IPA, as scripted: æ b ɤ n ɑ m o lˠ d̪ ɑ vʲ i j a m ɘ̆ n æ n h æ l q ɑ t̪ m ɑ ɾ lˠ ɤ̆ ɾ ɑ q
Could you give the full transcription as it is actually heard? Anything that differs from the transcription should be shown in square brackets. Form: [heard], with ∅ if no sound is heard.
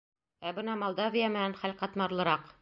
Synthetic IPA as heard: æ b ɤ n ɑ m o lˠ d̪ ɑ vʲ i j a m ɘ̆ n æ n [χ] æ l q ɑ t̪ m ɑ ɾ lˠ ɤ̆ ɾ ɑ q